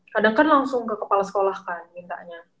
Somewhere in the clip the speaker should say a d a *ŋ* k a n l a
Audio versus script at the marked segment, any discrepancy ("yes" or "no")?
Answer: no